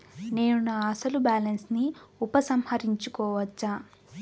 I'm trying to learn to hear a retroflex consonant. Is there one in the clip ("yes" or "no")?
no